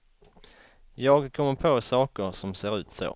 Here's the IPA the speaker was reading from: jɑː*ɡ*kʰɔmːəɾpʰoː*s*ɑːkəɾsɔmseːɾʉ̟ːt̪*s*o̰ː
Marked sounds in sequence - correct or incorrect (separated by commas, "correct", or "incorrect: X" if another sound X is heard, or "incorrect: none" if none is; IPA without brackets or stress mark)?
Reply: correct, correct, correct